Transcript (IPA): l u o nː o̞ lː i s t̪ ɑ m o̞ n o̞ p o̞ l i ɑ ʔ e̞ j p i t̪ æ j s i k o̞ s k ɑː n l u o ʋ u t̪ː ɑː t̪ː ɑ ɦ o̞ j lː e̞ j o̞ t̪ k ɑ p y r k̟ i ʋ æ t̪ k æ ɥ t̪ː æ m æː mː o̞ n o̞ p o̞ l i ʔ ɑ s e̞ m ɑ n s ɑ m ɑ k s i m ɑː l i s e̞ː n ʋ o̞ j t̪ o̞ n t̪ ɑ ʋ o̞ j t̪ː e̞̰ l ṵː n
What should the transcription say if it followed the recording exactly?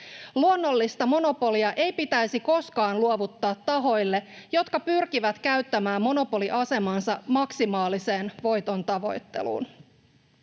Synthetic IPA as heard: l u o nː o̞ lː i s t̪ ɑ m o̞ n o̞ p o̞ l i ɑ ʔ e̞ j p i t̪ æ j s i k o̞ s k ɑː n l u o ʋ u t̪ː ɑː t̪ː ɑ ɦ o̞ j lː e̞ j o̞ t̪ k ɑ p y r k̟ i ʋ æ t̪ k æ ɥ t̪ː æ m æː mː o̞ n o̞ p o̞ l i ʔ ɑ s e̞ m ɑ n s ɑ m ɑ k s i m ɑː l i s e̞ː n ʋ o̞ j t̪ o̞ n t̪ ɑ ʋ o̞ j t̪ː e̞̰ l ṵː n